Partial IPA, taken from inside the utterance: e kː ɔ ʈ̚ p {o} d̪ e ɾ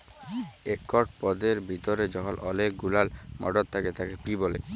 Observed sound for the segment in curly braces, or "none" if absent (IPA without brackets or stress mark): ɔ